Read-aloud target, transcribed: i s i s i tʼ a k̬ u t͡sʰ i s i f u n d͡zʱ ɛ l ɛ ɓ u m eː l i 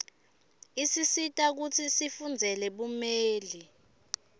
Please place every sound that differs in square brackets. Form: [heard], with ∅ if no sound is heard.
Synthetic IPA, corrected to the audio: i s i s i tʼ a k̬ u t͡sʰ i s i f u n d͡zʱ ɛ l ɛ ɓ u m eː l i

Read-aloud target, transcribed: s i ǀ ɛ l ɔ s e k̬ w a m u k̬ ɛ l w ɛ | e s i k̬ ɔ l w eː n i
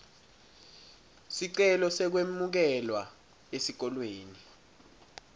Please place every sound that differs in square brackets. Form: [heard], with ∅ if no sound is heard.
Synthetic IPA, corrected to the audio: s i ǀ ɛ l ɔ s [ɛ] k̬ w [e] m u k̬ ɛ l w [a] | e s i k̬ ɔ l w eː n i

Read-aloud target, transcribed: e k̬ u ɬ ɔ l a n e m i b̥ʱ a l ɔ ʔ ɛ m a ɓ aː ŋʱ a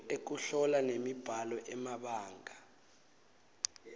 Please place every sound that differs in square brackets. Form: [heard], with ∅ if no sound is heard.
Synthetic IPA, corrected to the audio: e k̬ u ɬ ɔ l a n e m i b̥ʱ a l ɔ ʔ ɛ m a ɓ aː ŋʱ a

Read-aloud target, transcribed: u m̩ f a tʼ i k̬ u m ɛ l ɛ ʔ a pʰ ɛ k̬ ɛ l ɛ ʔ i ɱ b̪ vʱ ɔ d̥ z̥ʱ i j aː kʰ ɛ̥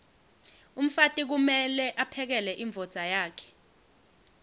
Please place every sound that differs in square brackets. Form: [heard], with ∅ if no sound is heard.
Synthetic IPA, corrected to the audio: u m̩ f a tʼ i k̬ u m ɛ l ɛ ʔ a pʰ ɛ k̬ ɛ l ɛ ʔ i ɱ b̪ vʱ ɔ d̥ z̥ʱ [a] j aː kʰ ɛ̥

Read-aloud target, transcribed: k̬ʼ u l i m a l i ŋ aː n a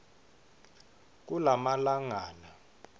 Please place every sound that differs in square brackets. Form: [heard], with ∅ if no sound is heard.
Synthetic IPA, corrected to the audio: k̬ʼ u l [a] m a l [a] ŋ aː n a

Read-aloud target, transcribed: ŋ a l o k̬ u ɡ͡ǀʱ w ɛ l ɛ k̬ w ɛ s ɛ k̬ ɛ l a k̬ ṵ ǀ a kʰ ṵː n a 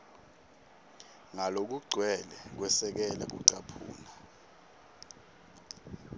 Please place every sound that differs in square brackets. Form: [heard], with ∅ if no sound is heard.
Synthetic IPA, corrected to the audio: ŋ a l o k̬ u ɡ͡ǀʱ w ɛ l ɛ k̬ w ɛ s ɛ k̬ ɛ l a k̬ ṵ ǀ a [pʰ] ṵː n a

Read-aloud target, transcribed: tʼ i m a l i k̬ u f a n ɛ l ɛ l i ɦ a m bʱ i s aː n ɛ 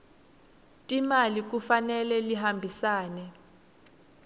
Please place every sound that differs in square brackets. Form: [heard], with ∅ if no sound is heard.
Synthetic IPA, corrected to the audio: tʼ i m a l i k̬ u f a n ɛ l ɛ l i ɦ a m bʱ i s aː n ɛ

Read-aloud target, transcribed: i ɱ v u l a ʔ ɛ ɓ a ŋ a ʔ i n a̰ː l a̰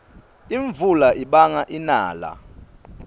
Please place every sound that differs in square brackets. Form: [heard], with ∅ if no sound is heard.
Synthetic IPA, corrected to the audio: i ɱ v u l a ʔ [i] ɓ a ŋ a ʔ i n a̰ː l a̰

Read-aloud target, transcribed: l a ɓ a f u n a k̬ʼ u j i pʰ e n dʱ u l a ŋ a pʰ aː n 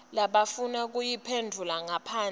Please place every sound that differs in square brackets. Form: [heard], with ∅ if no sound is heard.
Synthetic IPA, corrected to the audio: l a ɓ a f u n a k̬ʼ u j i pʰ e n dʱ u l a ŋ a pʰ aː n

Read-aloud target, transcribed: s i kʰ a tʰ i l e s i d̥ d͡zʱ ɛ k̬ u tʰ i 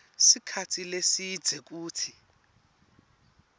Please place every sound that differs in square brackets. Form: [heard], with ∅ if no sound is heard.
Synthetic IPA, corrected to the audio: s i kʰ a tʰ i l e s i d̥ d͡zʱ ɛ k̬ [uː] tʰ i

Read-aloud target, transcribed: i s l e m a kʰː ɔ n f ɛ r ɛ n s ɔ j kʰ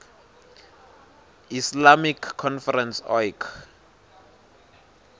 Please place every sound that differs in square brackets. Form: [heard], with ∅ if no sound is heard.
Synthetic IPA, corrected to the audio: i s l [a] m [i] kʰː ɔ n f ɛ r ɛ n s ɔ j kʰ

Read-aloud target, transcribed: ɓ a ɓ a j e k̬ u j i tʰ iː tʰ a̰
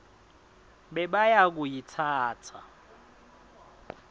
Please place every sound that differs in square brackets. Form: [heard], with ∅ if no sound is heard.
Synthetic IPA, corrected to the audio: ɓ [ɛ] ɓ a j [a] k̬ u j i tʰ [aː] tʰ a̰

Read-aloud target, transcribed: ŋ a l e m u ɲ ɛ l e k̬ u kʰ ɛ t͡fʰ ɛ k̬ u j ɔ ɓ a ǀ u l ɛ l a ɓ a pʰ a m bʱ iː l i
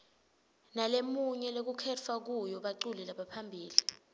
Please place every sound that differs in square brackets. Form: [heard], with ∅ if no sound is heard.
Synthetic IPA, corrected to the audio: [n] a l e m u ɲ ɛ l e k̬ u kʰ ɛ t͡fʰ [a] k̬ u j ɔ ɓ a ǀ u l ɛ l a ɓ a pʰ a m bʱ iː l i

